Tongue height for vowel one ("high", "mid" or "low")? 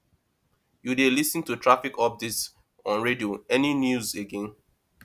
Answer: high